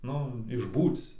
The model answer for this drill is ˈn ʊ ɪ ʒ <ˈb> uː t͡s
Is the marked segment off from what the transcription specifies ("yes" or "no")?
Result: no